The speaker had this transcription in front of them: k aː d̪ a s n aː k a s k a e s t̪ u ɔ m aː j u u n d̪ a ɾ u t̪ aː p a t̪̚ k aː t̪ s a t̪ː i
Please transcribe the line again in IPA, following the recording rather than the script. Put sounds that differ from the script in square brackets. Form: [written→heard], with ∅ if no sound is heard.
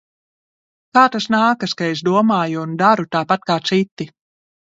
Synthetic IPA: k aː [d̪→t̪] a s n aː k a s k a e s [t̪→d̪] u ɔ m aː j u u n d̪ a ɾ u t̪ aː p a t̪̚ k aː t̪ s [a→i] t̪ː i